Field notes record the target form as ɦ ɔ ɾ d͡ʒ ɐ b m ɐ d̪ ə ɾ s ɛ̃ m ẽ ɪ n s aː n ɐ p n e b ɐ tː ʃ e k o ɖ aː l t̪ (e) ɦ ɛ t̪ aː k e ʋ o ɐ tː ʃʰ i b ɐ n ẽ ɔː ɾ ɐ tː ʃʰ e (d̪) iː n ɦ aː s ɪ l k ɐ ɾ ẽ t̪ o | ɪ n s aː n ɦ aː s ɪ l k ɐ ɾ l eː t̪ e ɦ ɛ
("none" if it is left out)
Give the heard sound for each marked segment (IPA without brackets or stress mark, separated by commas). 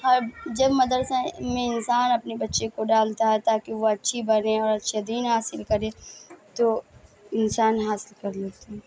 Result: a, d̪